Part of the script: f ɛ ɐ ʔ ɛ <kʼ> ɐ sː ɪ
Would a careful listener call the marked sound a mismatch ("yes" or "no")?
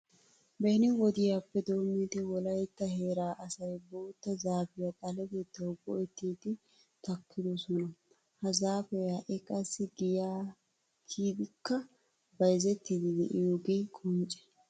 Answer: no